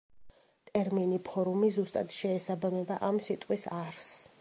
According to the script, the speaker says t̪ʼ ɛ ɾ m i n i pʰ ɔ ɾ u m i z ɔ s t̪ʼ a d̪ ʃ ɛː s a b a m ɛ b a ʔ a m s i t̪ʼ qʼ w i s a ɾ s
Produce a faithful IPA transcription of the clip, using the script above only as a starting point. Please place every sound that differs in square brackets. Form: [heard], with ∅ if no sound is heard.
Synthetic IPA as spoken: t̪ʼ ɛ ɾ m i n i pʰ ɔ ɾ u m i z [u] s t̪ʼ a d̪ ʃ ɛː s a b a m ɛ b a ʔ a m s i t̪ʼ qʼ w i s a ɾ s

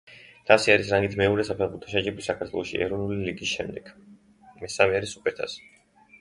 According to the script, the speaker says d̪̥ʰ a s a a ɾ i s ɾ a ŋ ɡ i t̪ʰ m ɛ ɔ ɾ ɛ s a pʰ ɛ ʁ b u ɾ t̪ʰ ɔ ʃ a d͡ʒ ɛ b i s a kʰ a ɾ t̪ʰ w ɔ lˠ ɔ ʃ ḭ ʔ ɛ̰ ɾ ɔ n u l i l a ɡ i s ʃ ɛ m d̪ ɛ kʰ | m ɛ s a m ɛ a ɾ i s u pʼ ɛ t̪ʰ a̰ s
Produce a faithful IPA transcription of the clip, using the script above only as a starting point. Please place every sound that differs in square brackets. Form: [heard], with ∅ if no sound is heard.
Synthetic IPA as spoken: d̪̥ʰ a s [i] a ɾ i s ɾ a ŋ ɡ i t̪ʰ m ɛ ɔ ɾ ɛ s a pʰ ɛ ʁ b u ɾ t̪ʰ ɔ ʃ a d͡ʒ ɛ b i s a kʰ a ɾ t̪ʰ w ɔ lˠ ɔ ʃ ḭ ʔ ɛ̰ ɾ ɔ n u l i l [i] ɡ i s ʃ ɛ m d̪ ɛ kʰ | m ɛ s a m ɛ a ɾ i s u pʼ ɛ t̪ʰ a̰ s

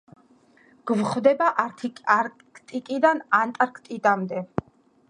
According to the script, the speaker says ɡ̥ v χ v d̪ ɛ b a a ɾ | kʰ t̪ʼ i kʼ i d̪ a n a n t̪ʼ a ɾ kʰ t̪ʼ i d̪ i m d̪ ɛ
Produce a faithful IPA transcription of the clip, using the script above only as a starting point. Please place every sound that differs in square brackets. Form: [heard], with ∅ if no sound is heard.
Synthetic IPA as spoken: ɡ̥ v χ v d̪ ɛ b a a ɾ | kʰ t̪ʼ i kʼ i d̪ a n a n t̪ʼ a ɾ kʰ t̪ʼ i d̪ [a] m d̪ ɛ

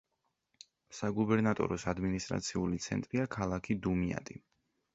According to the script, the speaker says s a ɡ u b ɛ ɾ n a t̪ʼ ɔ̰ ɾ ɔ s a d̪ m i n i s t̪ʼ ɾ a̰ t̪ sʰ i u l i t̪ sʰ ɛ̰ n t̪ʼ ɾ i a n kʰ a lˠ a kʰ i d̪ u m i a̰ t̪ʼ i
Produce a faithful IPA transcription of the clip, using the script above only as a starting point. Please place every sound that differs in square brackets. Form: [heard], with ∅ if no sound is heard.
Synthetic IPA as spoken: s a ɡ u b ɛ ɾ n a t̪ʼ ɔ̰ ɾ ɔ s a d̪ m i n i s t̪ʼ ɾ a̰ t̪ sʰ i u l i t̪ sʰ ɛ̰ n t̪ʼ ɾ i a [∅] kʰ a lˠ a kʰ i d̪ u m i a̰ t̪ʼ i

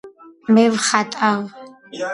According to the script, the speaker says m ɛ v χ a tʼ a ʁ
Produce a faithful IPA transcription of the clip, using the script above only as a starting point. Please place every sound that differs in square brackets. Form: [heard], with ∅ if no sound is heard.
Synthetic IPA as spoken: m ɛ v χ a tʼ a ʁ

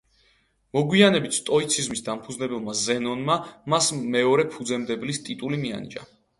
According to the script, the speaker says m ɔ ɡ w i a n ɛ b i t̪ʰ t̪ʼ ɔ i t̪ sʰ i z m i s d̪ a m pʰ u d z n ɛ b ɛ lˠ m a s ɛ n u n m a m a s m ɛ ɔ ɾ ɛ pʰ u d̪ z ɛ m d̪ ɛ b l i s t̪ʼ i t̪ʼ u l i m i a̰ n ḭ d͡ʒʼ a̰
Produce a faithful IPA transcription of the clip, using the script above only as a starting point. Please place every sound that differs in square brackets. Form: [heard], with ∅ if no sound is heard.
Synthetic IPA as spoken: m ɔ ɡ w i a n ɛ b i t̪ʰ t̪ʼ ɔ i t̪ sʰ i z m i s d̪ a m pʰ u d z n ɛ b ɛ lˠ m a [z] ɛ n [ɔ] n m a m a s m ɛ ɔ ɾ ɛ pʰ u d̪ z ɛ m d̪ ɛ b l i s t̪ʼ i t̪ʼ u l i m i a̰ n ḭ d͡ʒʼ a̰

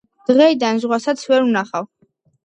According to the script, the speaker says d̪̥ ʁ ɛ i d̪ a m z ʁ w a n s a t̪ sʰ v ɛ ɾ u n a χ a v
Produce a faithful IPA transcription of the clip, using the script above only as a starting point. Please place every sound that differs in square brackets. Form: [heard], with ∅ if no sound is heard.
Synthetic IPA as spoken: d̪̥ ʁ ɛ i d̪ a [n] z ʁ w a [∅] s a t̪ sʰ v ɛ ɾ u n a χ a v

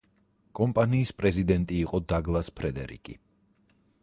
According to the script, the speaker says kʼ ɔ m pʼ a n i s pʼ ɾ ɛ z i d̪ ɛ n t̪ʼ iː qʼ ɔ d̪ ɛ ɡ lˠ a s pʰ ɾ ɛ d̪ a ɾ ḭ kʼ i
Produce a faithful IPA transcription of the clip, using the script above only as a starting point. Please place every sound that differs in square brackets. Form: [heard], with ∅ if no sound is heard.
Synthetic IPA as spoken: kʼ ɔ m pʼ a n [iː] s pʼ ɾ ɛ z i d̪ ɛ n t̪ʼ iː qʼ ɔ d̪ [a] ɡ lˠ a s pʰ ɾ ɛ d̪ [ɛ] ɾ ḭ kʼ i

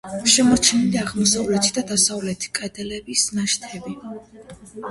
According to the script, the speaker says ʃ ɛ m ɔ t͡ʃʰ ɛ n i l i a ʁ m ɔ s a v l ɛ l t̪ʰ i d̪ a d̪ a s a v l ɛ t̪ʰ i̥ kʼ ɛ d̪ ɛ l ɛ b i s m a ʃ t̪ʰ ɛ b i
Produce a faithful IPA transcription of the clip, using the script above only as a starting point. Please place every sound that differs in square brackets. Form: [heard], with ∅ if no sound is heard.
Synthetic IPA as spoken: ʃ ɛ m ɔ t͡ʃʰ ɛ n i l i a ʁ m ɔ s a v l ɛ [∅] t̪ʰ i d̪ a d̪ a s a v l ɛ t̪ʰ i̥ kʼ ɛ d̪ ɛ l ɛ b i s [n] a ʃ t̪ʰ ɛ b i

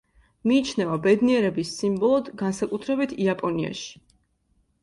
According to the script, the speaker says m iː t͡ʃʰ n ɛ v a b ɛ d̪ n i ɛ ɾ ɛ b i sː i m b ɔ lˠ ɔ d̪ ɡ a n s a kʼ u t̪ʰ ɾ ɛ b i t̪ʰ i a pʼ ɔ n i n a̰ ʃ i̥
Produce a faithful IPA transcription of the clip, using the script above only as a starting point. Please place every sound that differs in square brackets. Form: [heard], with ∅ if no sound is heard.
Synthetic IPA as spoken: m iː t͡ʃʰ n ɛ v a b ɛ d̪ n i ɛ ɾ ɛ b i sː i m b ɔ lˠ ɔ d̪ ɡ a n s a kʼ u t̪ʰ ɾ ɛ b i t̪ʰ i a pʼ ɔ n i [∅] a̰ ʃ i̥

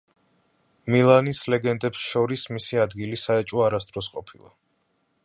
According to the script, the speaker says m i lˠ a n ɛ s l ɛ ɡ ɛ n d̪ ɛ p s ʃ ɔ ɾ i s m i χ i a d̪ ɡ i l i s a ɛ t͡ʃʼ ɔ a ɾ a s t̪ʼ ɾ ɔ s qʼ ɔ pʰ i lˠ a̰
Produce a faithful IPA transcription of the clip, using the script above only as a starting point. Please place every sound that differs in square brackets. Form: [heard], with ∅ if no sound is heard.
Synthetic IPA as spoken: m i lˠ a n [i] s l ɛ ɡ ɛ n d̪ ɛ p s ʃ ɔ ɾ i s m i [s] i a d̪ ɡ i l i s a ɛ t͡ʃʼ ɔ a ɾ a s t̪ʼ ɾ ɔ s qʼ ɔ pʰ i lˠ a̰

